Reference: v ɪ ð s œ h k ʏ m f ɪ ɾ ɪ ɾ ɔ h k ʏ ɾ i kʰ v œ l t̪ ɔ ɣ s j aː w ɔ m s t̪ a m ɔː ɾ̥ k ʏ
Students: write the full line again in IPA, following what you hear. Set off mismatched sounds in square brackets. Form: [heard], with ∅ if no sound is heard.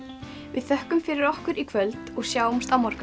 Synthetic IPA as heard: v ɪ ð [θ] œ h k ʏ m f ɪ ɾ ɪ ɾ ɔ h k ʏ ɾ i kʰ v œ l t̪ ɔ ɣ s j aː w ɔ m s t̪ a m [ɔ] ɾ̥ k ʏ